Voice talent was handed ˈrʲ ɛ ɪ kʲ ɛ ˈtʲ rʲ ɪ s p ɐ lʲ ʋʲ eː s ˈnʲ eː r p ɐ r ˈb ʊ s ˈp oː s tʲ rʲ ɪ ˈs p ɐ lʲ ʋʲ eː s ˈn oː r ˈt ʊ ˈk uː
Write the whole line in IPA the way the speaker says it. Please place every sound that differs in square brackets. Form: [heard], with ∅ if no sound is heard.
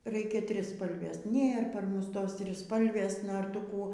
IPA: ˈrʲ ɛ ɪ kʲ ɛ ˈtʲ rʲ ɪ s p ɐ lʲ ʋʲ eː s ˈnʲ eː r p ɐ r [ˈm] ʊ s [ˈt] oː s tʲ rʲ ɪ ˈs p ɐ lʲ ʋʲ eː s ˈn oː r ˈt ʊ ˈk uː